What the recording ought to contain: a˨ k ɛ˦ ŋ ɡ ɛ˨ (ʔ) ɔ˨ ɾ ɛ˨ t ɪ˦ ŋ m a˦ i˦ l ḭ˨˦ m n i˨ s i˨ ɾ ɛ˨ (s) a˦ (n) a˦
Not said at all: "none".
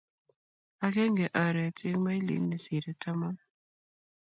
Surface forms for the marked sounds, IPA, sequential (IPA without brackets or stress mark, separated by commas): ʔ, t, m